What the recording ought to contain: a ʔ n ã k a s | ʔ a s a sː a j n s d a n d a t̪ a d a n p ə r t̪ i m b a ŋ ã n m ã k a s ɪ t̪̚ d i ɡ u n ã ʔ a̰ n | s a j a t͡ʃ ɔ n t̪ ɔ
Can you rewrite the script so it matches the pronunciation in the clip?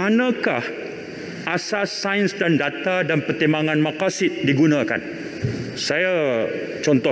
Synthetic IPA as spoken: a n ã k a h | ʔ a s a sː a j n s d a n d a t̪ a d a n p ə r t̪ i m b a ŋ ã n m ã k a s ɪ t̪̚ d i ɡ u n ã k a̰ n | s a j a t͡ʃ ɔ n t̪ ɔ